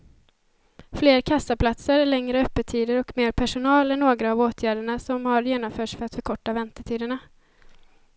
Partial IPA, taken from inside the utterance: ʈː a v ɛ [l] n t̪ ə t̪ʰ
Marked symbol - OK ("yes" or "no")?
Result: no